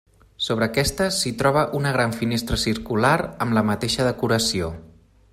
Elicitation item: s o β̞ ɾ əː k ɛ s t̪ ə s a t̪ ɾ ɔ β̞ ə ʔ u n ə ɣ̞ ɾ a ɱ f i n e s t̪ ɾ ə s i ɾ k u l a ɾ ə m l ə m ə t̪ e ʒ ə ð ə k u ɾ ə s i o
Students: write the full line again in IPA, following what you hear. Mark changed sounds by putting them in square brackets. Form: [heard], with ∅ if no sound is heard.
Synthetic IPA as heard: s o β̞ ɾ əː k ɛ s t̪ ə s [i] t̪ ɾ ɔ β̞ ə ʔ u n ə ɣ̞ ɾ a ɱ f i n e s t̪ ɾ ə s i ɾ k u l a ɾ ə m l ə m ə t̪ e [ʃ] ə ð ə k u ɾ ə s i o